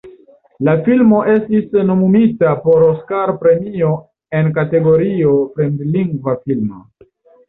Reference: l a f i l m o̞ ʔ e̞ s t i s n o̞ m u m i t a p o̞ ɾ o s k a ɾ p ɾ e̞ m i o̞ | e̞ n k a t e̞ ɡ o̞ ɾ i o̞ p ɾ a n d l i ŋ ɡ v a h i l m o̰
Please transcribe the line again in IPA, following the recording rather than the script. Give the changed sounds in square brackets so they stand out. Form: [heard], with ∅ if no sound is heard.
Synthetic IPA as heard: l a f i l m o̞ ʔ e̞ s t i s n o̞ m u m i t a p o̞ ɾ o s k a ɾ p ɾ e̞ m i o̞ | e̞ n k a t e̞ ɡ o̞ ɾ i o̞ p ɾ [e] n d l i ŋ ɡ v a [f] i l m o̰